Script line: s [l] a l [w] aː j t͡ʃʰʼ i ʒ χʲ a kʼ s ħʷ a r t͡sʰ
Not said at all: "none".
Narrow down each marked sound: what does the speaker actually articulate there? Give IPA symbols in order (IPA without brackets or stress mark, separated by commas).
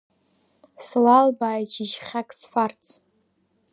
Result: l, b